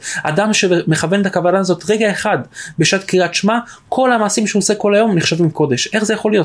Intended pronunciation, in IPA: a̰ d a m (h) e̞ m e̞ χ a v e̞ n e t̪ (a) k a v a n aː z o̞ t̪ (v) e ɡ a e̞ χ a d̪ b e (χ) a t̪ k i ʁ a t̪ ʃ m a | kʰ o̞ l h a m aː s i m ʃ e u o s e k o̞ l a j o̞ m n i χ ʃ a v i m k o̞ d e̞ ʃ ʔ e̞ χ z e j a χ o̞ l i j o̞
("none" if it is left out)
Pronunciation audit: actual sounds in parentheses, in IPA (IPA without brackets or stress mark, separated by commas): ʃ, a, ʁ, ʃ